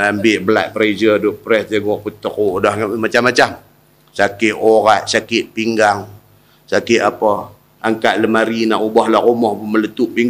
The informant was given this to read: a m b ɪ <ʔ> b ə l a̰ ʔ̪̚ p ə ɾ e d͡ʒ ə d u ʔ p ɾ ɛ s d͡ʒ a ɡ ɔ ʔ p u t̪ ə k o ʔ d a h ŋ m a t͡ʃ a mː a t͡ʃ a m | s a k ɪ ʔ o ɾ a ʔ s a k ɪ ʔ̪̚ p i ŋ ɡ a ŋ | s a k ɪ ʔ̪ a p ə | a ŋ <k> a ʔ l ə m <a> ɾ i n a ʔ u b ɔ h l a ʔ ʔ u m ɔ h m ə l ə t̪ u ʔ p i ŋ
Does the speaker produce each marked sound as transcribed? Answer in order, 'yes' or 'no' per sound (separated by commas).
yes, yes, yes